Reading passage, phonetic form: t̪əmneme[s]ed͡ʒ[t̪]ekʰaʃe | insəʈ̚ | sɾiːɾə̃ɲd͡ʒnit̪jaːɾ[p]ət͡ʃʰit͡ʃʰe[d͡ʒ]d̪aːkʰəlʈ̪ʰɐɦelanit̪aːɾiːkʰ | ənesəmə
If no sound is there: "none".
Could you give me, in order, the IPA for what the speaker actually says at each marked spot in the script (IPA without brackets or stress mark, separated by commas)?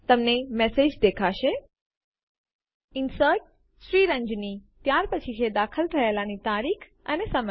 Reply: s, d̪, p, none